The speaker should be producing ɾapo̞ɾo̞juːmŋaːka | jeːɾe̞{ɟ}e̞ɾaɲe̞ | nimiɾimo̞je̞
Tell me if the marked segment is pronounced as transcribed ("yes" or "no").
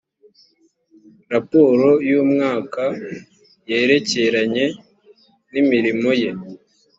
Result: no